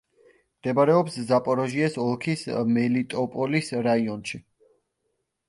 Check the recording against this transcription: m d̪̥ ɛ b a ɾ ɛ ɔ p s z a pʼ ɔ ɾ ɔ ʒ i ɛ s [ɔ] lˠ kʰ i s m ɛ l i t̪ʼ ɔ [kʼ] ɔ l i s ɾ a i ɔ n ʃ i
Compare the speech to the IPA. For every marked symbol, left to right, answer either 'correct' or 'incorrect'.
correct, incorrect

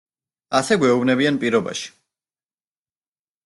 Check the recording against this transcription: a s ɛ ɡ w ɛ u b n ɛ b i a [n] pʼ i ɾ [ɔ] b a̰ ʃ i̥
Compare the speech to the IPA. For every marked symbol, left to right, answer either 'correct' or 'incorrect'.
correct, correct

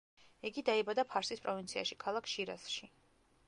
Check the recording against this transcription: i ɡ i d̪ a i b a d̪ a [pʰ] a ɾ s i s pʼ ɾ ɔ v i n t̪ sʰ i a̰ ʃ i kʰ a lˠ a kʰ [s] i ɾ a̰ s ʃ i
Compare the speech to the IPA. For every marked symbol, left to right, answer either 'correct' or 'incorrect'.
correct, incorrect

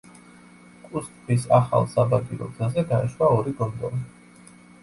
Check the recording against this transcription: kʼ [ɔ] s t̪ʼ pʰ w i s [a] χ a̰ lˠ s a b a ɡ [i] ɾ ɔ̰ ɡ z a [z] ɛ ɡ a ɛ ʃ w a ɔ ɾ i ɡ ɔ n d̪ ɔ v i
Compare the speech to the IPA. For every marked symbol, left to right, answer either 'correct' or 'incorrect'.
incorrect, correct, correct, correct

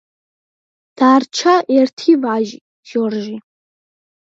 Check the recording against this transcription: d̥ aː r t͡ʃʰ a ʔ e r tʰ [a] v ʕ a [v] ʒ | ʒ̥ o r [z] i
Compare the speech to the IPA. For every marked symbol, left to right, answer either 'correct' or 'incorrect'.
incorrect, incorrect, incorrect

